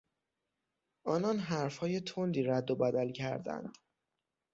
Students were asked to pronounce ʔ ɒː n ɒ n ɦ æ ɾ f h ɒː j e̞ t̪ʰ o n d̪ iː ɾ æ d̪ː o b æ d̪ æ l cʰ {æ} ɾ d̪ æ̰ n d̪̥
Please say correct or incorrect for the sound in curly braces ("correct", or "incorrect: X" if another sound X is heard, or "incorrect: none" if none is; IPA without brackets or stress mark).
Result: correct